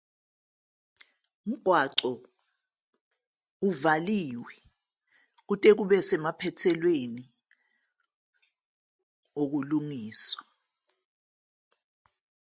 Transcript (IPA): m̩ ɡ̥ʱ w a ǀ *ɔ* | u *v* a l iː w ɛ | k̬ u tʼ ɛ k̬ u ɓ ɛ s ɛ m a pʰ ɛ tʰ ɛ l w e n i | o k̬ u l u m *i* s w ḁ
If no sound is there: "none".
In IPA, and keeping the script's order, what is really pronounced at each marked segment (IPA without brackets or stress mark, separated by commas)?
ɔ, v, iː